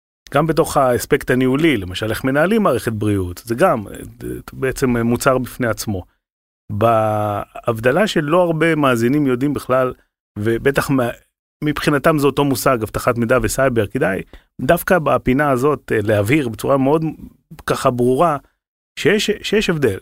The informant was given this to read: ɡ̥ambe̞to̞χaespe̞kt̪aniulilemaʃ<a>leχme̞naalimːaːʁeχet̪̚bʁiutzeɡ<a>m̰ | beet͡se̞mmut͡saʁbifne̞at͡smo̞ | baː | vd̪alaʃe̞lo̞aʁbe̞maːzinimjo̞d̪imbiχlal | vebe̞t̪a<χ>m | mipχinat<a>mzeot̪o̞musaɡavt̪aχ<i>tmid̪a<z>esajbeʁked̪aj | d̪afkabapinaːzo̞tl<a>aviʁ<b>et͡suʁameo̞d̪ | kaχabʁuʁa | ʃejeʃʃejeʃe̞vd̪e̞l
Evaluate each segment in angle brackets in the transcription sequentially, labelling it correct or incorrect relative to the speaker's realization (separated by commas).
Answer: correct, correct, correct, correct, incorrect, incorrect, incorrect, correct